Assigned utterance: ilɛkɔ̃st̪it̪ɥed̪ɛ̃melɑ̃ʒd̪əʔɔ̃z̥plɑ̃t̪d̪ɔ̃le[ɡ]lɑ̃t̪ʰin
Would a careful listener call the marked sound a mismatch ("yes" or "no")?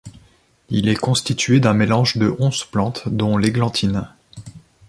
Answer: no